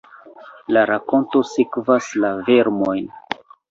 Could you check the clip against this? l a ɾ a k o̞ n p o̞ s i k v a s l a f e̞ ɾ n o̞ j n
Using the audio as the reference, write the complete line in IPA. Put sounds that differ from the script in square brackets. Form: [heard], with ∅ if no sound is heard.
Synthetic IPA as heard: l a ɾ a k o̞ n [t] o̞ s i k v a s l a [v] e̞ ɾ [m] o̞ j n